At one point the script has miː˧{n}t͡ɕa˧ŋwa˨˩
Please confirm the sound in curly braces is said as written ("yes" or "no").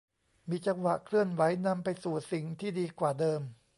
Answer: no